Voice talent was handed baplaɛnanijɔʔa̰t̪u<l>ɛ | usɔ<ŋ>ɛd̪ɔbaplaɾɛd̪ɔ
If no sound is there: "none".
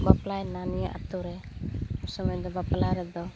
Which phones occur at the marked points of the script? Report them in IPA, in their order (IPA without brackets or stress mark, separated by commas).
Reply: ɾ, m